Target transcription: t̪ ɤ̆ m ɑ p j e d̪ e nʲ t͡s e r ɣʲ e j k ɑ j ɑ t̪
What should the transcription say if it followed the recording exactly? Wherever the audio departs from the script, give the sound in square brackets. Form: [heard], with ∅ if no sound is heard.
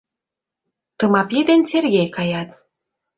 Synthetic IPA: t̪ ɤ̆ m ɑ p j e d̪ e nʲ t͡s e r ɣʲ e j k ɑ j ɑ t̪